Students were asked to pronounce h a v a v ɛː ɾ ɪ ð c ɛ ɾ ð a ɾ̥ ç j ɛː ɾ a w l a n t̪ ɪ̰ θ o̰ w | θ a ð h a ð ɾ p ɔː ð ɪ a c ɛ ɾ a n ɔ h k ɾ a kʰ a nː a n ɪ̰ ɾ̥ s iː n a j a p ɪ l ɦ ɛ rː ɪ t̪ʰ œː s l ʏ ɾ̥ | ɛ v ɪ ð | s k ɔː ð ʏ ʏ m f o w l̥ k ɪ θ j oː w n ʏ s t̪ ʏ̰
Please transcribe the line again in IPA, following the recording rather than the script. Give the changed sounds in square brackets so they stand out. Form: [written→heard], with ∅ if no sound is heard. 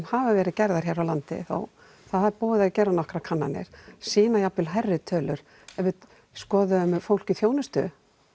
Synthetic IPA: h a v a v ɛː ɾ ɪ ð c ɛ ɾ ð a ɾ̥ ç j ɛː ɾ a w l a n t̪ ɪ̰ θ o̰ w | θ a ð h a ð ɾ p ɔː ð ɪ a c ɛ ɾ a n ɔ h k ɾ a kʰ a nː a n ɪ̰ ɾ̥ s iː n a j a p ɪ l ɦ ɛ rː ɪ t̪ʰ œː [s→∅] l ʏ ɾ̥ | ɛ v ɪ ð | s k ɔː ð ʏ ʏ m f o w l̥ [k→c] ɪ θ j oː w n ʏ s t̪ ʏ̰

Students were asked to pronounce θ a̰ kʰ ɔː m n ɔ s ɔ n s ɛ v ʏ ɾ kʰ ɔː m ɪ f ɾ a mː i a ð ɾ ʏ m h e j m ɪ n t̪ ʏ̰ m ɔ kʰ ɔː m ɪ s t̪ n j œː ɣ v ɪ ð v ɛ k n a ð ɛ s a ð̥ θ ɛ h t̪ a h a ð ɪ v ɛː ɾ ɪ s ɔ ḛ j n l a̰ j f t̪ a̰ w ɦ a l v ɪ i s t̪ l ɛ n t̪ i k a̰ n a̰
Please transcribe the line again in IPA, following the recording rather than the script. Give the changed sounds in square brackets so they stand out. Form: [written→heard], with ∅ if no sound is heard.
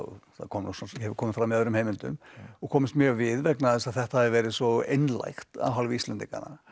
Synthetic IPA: θ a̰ kʰ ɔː m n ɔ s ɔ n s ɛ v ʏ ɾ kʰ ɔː m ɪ f ɾ a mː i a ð ɾ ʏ m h e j m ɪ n t̪ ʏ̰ m ɔ kʰ ɔː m ɪ s t̪ [n→m] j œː ɣ v ɪ ð v ɛ k n a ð ɛ s a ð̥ θ ɛ h t̪ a h a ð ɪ v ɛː ɾ ɪ s ɔ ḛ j n l a̰ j [f→x] t̪ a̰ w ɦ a l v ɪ i s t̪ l ɛ n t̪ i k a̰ n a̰

